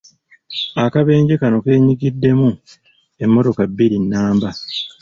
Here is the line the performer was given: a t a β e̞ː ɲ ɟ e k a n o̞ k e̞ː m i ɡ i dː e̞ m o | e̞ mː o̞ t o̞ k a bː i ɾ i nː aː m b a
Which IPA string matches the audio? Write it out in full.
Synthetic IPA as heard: a k a β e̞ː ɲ ɟ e k a n o̞ k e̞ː ɲ i ɡ i dː e̞ m u | e̞ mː o̞ t o̞ k a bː i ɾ i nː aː m b a